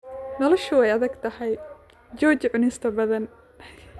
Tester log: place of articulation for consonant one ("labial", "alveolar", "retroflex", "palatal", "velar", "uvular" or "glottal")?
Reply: alveolar